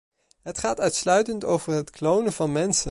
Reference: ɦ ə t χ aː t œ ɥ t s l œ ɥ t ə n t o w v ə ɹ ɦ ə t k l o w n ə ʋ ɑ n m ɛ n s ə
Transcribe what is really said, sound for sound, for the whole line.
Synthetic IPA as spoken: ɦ ə t χ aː t œ ɥ t s l œ ɥ t ə n t o w v ə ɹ ɦ ə t k l o w n ə v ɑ n m ɛ n s ə